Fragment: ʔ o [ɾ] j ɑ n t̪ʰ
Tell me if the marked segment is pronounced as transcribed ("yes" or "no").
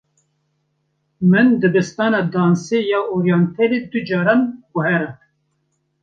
yes